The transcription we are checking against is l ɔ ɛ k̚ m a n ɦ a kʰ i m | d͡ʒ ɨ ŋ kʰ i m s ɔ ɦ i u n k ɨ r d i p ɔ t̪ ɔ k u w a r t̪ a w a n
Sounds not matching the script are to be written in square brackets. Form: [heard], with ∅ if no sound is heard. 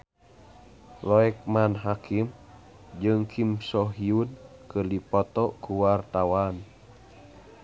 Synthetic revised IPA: l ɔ ɛ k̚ m a n ɦ a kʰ i m | d͡ʒ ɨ ŋ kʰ i m s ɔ ɦ i u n k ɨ r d i p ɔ t̪ ɔ k u w a r t̪ a w a n